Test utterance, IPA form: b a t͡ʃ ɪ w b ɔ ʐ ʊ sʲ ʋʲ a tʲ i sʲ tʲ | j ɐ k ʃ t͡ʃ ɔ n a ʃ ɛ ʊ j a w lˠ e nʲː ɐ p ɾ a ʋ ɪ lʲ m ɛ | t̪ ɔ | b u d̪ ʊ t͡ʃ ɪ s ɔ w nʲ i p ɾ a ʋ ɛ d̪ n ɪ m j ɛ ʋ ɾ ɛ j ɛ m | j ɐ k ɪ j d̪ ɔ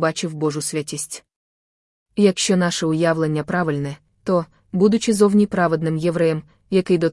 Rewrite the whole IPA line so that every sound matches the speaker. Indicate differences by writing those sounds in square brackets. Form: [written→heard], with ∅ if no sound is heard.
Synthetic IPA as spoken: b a t͡ʃ ɪ w b ɔ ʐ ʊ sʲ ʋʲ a tʲ i sʲ tʲ | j ɐ k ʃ t͡ʃ ɔ n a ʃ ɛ ʊ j a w lˠ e nʲː ɐ p ɾ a ʋ ɪ lʲ [m→n] ɛ | t̪ ɔ | b u d̪ ʊ t͡ʃ ɪ [s→z] ɔ w nʲ i p ɾ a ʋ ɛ d̪ n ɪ m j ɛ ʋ ɾ ɛ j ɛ m | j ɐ k ɪ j d̪ ɔ